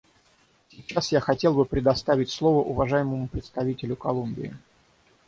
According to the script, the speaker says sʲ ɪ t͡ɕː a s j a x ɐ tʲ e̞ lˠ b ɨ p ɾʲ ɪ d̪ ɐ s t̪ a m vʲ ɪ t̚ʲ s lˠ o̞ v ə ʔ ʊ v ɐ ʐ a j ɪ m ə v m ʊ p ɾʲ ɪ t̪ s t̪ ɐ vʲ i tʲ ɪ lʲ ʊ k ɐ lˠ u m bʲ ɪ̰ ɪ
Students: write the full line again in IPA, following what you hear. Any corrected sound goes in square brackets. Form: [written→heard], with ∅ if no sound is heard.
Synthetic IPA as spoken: sʲ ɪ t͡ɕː a s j a x ɐ tʲ e̞ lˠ b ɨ p ɾʲ ɪ d̪ ɐ s t̪ a [m→∅] vʲ ɪ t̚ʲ s lˠ o̞ v ə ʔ ʊ v ɐ ʐ a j ɪ m ə [v→∅] m ʊ p ɾʲ ɪ t̪ s t̪ ɐ vʲ i tʲ ɪ lʲ ʊ k ɐ lˠ u m bʲ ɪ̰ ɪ